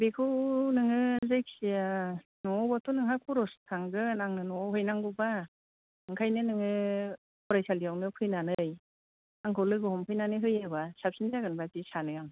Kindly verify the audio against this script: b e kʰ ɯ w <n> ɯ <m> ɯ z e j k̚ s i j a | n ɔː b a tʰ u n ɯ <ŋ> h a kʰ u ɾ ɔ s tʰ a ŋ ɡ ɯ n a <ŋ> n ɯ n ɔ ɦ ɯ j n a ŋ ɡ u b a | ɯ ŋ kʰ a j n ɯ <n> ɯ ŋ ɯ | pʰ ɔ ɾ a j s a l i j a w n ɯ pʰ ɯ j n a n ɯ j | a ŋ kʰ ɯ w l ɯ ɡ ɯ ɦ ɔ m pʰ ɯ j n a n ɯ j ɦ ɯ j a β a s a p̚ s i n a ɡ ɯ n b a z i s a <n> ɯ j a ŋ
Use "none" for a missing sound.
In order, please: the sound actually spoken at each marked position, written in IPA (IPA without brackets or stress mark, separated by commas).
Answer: n, ŋ, ŋ, ŋ, n, n